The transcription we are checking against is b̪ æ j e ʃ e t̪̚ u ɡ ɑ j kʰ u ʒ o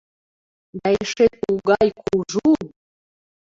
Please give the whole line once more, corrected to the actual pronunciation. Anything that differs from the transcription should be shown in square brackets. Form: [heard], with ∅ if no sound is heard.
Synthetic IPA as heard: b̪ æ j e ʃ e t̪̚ u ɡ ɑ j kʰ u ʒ [u]